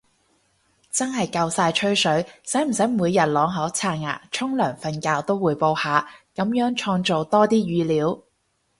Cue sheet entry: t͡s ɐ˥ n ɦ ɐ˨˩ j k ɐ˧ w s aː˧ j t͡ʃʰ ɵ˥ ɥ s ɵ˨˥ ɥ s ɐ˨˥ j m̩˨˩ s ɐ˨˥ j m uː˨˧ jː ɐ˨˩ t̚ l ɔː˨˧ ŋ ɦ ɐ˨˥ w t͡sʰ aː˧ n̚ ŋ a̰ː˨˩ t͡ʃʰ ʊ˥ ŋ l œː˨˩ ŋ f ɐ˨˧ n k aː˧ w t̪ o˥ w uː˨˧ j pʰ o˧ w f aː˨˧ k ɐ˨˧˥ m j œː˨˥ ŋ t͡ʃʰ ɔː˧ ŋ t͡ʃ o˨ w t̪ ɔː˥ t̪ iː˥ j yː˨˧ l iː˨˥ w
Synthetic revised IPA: t͡s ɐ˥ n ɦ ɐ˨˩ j k ɐ˧ w s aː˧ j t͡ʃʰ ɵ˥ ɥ s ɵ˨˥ ɥ s ɐ˨˥ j m̩˨˩ s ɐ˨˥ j m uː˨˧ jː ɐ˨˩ t̚ l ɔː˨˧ ŋ ɦ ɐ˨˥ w t͡sʰ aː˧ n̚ ŋ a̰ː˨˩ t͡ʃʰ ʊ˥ ŋ l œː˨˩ ŋ f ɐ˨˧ n k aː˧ w t̪ o˥ w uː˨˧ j p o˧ w h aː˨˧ k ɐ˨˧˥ m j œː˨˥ ŋ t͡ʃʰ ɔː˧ ŋ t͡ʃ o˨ w t̪ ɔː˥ t̪ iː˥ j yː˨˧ l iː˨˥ w